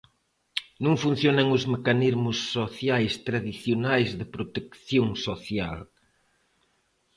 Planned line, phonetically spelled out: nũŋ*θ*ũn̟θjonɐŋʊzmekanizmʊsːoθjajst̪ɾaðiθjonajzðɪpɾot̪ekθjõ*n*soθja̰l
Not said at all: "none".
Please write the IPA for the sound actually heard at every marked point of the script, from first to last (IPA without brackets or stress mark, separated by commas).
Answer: f, ŋ